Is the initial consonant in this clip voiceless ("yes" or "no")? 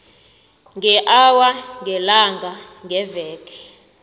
no